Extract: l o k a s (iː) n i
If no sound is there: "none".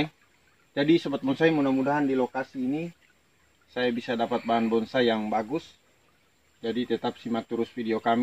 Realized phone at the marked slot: iː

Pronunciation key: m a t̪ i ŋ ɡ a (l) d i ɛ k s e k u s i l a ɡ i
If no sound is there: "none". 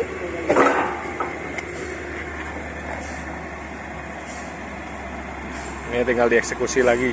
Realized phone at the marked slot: l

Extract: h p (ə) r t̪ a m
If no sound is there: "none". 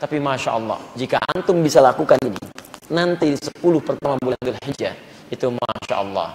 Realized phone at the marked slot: ə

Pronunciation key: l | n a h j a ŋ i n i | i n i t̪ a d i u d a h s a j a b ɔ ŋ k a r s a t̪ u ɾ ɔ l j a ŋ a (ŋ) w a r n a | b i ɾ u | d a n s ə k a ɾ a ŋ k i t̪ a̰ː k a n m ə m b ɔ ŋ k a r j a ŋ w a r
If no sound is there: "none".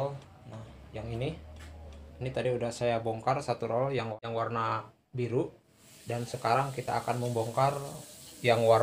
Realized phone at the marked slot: ŋ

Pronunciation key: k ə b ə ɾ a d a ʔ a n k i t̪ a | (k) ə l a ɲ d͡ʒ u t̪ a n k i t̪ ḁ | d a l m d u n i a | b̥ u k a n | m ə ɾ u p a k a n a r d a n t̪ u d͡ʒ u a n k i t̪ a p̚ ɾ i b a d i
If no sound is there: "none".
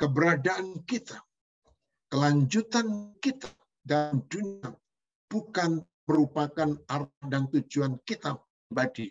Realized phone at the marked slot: k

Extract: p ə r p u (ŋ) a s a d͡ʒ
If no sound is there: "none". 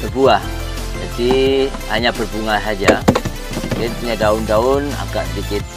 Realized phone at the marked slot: ŋ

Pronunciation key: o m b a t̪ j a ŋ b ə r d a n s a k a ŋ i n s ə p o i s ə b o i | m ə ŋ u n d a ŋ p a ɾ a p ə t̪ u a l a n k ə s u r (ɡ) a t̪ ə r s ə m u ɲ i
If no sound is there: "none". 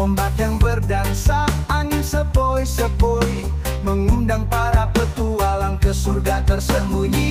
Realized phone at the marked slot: ɡ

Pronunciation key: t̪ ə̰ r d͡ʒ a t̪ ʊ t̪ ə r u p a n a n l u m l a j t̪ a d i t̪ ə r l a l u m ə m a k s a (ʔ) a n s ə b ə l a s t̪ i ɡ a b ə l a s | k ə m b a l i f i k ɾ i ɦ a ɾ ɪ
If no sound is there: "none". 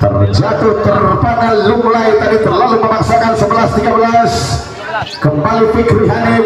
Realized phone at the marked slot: k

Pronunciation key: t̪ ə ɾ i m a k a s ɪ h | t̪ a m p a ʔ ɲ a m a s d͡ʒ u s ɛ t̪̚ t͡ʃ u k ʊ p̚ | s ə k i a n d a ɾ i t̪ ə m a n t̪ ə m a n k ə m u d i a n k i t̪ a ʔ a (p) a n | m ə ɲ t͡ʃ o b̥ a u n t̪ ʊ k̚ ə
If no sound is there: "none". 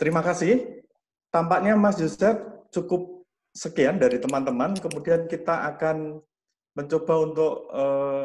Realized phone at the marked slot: k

